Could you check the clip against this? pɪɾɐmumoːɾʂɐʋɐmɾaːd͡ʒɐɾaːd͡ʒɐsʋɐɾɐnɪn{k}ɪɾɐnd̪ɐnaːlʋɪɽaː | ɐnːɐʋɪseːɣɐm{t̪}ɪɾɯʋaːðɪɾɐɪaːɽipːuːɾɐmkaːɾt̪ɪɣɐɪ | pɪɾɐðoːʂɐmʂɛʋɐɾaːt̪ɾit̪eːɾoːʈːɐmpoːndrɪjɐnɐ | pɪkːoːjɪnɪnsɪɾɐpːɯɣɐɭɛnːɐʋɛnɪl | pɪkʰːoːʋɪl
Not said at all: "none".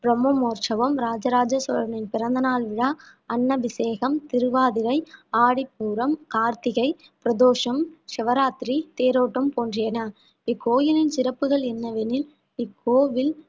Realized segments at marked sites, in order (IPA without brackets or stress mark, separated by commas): p, t̪